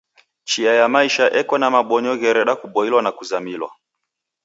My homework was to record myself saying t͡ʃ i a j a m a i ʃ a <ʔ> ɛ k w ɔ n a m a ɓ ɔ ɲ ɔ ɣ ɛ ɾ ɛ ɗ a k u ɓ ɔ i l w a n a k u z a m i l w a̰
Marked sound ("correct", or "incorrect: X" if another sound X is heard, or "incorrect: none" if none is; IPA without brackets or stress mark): correct